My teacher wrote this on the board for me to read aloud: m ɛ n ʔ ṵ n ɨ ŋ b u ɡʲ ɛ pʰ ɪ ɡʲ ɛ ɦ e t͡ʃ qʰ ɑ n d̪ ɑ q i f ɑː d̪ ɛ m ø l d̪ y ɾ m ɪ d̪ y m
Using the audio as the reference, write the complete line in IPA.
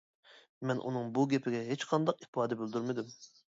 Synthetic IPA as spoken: m ɛ n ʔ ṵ n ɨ ŋ b u ɡʲ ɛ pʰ ɪ ɡʲ ɛ ɦ e t͡ʃ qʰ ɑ n d̪ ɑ q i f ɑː d̪ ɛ b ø l d̪ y ɾ m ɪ d̪ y m

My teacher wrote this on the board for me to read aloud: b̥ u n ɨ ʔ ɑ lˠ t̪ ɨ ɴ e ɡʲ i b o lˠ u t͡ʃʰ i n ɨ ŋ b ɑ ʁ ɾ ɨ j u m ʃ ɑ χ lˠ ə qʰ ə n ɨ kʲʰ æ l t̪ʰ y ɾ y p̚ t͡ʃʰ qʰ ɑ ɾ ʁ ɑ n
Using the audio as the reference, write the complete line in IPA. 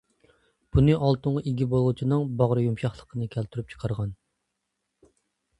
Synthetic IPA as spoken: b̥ u n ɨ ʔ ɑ lˠ t̪ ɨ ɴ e ɡʲ i b o lˠ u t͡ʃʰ i n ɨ ŋ b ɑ ʁ ɾ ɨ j u m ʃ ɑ χ lˠ ə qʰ ə n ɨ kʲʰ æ l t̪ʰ y ɾ y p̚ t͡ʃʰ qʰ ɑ ɾ ʁ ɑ n

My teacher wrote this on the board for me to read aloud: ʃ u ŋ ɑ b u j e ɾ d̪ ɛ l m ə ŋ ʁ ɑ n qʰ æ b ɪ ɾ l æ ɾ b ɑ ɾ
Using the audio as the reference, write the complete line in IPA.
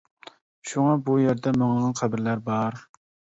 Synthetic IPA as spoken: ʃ u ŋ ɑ b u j e ɾ d̪ ɛ m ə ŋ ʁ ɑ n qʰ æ b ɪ ɾ l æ ɾ b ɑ ɾ

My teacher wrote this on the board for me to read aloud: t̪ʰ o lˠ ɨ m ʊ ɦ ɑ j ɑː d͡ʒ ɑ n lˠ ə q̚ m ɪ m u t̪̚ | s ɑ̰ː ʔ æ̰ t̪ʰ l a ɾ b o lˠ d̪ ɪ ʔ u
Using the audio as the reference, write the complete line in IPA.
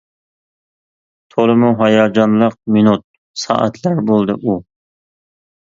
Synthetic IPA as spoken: t̪ʰ o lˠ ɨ m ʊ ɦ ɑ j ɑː d͡ʒ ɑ n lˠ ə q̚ m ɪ n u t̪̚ | s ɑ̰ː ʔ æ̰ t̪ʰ l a ɾ b o lˠ d̪ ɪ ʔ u

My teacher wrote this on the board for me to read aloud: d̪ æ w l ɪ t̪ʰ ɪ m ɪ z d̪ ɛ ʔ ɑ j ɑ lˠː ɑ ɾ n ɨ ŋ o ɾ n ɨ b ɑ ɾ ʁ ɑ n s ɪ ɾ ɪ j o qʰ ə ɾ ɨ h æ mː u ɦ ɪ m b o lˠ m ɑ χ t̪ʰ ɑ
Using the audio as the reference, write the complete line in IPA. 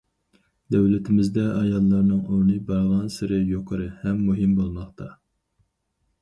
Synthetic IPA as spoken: d̪ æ w l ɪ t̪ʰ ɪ m ɪ z d̪ ɛ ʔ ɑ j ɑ lˠː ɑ ɾ n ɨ ŋ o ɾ n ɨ b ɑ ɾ ʁ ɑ n s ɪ ɾ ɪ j o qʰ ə ɾ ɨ h ɛ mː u ɦ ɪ m b o lˠ m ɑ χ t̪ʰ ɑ

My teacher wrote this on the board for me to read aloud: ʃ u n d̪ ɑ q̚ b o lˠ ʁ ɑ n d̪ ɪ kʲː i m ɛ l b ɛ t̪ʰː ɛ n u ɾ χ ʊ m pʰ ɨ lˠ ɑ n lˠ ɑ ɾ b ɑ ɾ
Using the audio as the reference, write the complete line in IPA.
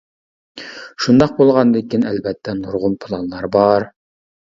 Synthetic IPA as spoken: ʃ u n d̪ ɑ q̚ b o lˠ ʁ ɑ n d̪ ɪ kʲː i n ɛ l b ɛ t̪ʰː ɛ n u ɾ ʁ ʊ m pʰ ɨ lˠ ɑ n lˠ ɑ ɾ b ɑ ɾ

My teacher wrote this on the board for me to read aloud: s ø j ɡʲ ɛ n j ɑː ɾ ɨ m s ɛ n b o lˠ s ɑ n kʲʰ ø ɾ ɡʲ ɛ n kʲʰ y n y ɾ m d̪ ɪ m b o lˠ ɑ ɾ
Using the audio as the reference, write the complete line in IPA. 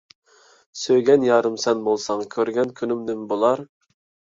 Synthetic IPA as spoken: s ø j ɡʲ ɛ n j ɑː ɾ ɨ m s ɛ n b o lˠ s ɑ ŋ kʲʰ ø ɾ ɡʲ ɛ n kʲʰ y n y m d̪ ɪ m b o lˠ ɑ ɾ

